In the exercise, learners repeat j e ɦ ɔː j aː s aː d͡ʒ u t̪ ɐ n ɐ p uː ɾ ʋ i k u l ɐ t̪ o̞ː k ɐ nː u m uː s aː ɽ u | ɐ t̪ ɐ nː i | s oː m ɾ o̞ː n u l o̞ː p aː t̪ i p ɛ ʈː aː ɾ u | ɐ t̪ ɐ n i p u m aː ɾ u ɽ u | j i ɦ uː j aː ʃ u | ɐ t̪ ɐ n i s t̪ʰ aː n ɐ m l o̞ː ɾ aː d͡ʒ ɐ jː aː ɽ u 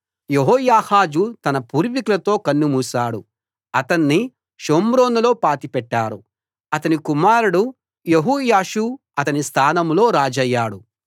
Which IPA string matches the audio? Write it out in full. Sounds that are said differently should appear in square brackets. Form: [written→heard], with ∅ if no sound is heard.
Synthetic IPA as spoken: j e ɦ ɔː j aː [s→h] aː d͡ʒ u t̪ ɐ n ɐ p uː ɾ ʋ i k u l ɐ t̪ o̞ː k ɐ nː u m uː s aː ɽ u | ɐ t̪ ɐ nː i | [s→ʃ] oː m ɾ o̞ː n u l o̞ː p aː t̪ i p ɛ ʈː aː ɾ u | ɐ t̪ ɐ n i [p→k] u m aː ɾ u ɽ u | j [i→e] ɦ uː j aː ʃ u | ɐ t̪ ɐ n i s t̪ʰ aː n ɐ m l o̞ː ɾ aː d͡ʒ ɐ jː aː ɽ u